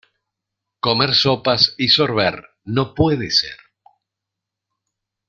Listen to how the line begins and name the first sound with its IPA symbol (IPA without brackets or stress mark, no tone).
k